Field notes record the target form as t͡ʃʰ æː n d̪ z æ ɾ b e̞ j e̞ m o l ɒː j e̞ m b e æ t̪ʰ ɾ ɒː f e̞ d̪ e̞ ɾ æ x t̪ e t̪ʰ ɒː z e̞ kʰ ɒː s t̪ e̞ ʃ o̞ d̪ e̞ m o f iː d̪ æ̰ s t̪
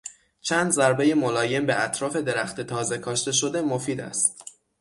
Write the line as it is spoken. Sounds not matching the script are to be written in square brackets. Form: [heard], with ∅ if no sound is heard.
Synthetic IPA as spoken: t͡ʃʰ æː n d̪ z æ ɾ b e̞ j e̞ m o l ɒː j e̞ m b e æ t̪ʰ ɾ ɒː f e̞ d̪ e̞ ɾ æ x t̪ e t̪ʰ ɒː z e̞ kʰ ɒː [ʃ] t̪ e̞ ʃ o̞ d̪ e̞ m o f iː d̪ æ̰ s t̪